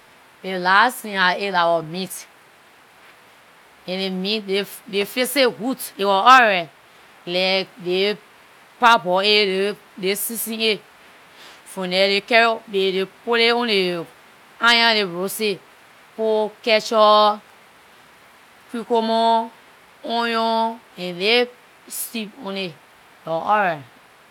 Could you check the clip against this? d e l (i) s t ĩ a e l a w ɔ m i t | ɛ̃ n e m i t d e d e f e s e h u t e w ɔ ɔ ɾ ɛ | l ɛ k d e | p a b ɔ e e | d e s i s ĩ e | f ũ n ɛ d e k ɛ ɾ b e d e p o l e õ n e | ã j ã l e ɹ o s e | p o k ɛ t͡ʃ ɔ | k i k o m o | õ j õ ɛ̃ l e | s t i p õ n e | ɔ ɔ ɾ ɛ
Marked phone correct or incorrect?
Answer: incorrect